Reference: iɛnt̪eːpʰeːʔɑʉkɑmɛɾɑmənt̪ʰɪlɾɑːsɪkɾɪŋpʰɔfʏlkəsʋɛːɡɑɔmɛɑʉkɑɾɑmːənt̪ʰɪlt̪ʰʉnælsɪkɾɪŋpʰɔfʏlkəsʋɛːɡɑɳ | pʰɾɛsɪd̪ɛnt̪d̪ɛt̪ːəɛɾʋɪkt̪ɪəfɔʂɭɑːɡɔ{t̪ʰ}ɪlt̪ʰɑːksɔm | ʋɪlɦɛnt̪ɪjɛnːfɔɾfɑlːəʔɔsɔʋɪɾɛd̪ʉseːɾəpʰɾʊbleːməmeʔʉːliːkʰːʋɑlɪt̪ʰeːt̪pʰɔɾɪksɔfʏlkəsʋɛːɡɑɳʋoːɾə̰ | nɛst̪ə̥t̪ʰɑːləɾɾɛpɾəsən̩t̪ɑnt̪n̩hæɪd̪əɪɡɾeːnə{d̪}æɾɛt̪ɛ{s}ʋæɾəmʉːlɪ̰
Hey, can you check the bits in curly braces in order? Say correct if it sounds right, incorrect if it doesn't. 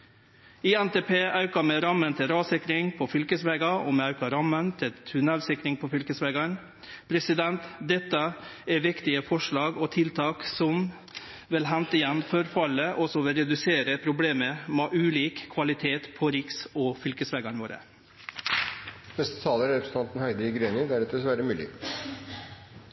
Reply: correct, correct, correct

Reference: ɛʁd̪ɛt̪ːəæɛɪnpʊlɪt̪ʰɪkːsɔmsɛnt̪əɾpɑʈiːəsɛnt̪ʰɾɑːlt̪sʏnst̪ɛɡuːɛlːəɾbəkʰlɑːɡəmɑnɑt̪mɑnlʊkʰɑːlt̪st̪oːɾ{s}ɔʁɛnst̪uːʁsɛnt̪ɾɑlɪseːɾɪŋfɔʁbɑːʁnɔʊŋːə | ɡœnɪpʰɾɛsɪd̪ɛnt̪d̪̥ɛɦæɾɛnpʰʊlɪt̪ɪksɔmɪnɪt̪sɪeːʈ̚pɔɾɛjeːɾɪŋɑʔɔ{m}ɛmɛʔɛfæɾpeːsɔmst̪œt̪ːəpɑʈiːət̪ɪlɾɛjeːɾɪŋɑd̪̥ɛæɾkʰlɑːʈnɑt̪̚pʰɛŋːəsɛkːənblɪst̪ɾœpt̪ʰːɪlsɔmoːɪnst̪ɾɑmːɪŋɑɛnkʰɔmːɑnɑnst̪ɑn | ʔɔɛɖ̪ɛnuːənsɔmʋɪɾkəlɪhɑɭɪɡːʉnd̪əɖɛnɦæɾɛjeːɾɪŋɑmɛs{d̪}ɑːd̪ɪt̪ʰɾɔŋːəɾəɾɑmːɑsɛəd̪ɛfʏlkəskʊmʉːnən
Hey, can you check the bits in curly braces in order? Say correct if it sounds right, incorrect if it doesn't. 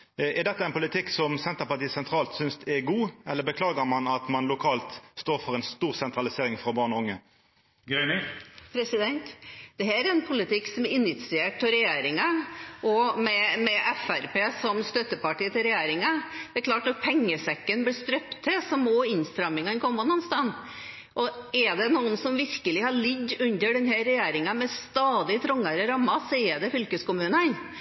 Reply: incorrect, correct, incorrect

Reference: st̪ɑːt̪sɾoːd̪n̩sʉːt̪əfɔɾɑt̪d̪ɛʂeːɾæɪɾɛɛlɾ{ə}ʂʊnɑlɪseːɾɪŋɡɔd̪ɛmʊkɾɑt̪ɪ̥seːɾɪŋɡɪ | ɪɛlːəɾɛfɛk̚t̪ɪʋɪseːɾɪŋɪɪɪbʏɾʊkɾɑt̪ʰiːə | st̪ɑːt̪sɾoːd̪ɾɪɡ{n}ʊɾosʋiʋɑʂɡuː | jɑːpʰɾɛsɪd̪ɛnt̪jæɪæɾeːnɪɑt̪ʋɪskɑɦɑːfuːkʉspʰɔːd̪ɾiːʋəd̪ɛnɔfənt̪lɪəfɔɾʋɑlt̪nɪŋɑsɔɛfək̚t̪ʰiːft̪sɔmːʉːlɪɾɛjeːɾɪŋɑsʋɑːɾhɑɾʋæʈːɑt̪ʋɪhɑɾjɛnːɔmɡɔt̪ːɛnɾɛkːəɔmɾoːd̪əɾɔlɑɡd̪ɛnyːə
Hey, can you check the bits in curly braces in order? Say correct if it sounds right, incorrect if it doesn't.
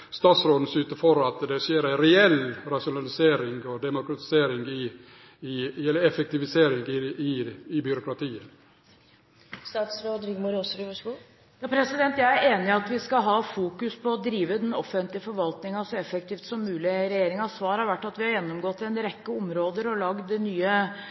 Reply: incorrect, incorrect

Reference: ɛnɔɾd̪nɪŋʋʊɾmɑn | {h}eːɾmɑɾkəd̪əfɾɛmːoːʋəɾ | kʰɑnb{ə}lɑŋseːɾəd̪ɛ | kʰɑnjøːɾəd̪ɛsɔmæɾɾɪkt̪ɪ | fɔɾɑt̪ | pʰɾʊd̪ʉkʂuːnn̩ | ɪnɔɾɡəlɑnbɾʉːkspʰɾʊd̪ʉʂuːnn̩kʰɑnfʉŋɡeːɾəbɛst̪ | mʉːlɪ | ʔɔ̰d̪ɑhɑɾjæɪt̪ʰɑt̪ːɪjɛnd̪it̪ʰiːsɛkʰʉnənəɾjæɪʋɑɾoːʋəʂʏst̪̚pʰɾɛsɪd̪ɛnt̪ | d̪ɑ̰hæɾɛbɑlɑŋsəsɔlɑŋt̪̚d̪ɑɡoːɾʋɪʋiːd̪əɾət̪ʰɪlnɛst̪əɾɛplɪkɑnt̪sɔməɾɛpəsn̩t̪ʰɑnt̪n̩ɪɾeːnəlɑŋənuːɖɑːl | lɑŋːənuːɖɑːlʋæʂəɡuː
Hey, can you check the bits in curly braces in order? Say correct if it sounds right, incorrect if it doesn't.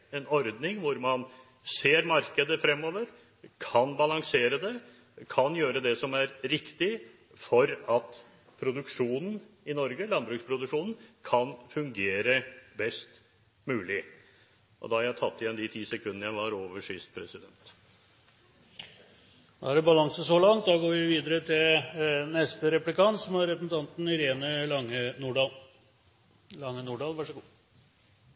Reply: incorrect, incorrect

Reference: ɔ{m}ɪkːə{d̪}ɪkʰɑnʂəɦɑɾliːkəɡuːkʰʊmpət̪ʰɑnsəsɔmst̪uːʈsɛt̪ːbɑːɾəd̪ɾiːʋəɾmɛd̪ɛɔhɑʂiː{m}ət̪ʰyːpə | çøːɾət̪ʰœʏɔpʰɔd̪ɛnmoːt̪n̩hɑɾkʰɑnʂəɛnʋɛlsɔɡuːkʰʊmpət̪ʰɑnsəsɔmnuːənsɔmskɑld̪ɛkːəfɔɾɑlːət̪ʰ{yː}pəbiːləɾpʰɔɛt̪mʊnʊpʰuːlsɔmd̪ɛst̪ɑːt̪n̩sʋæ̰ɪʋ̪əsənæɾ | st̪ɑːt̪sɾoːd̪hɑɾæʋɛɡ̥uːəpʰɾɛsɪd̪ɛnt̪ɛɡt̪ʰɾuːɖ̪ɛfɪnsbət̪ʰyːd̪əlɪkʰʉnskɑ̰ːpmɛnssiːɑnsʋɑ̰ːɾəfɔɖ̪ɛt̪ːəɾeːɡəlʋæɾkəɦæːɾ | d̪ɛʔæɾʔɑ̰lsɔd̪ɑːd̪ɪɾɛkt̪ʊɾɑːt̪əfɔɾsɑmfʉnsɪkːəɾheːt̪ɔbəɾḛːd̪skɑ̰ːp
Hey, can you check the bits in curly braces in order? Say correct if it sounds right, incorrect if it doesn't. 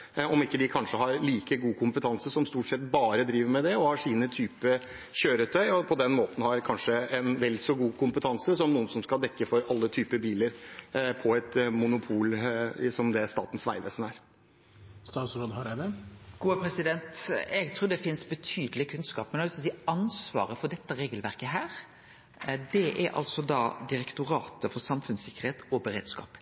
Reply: correct, correct, incorrect, correct

